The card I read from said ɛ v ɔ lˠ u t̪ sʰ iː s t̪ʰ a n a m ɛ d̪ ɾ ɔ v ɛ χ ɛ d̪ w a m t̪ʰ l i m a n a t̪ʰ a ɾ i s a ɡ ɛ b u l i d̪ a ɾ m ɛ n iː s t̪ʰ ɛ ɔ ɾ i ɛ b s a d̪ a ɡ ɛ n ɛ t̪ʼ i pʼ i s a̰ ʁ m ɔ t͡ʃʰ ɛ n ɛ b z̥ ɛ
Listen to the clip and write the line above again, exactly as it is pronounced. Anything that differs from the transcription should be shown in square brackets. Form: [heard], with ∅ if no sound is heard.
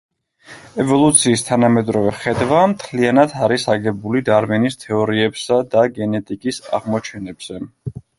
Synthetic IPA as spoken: ɛ v ɔ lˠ u t̪ sʰ iː s t̪ʰ a n a m ɛ d̪ ɾ ɔ v ɛ χ ɛ d̪ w a m t̪ʰ l i [∅] a n a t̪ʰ a ɾ i s a ɡ ɛ b u l i d̪ a ɾ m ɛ n [i] s t̪ʰ ɛ ɔ ɾ i ɛ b s a d̪ a ɡ ɛ n ɛ t̪ʼ i [kʼ] i s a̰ ʁ m ɔ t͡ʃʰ ɛ n ɛ b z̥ ɛ